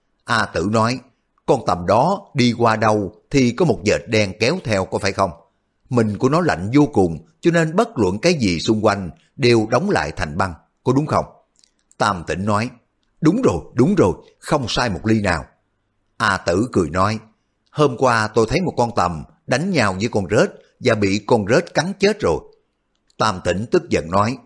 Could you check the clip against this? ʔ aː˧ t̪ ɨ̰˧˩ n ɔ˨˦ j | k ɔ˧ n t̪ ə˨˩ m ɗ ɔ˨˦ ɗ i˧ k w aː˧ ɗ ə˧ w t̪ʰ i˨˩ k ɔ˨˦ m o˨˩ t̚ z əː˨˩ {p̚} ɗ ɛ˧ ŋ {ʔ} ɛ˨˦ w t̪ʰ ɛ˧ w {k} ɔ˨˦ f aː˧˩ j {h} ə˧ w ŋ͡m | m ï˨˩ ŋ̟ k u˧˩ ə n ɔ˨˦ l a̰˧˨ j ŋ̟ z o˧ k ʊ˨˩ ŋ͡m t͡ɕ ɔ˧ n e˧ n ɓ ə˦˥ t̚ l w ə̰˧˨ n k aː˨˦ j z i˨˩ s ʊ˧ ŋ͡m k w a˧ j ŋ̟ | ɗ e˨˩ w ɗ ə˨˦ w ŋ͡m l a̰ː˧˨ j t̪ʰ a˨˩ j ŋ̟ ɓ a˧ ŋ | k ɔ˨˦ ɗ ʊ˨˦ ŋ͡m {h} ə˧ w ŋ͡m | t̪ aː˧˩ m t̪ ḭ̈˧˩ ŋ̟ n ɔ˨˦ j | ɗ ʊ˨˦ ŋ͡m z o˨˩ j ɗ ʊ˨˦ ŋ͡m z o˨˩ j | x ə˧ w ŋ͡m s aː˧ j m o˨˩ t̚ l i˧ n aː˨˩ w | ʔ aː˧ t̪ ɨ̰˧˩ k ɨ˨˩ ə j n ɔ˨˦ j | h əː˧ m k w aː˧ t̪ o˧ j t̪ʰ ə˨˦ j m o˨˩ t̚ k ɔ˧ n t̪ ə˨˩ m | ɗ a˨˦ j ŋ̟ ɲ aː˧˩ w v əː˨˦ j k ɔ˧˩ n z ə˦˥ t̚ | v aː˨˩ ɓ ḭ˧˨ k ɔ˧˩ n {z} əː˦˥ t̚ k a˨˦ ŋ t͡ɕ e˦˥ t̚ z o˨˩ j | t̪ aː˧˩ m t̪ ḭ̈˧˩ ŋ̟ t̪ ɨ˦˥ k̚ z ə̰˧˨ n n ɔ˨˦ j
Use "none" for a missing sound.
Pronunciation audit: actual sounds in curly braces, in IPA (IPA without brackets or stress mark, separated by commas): t̚, k, k, x, x, z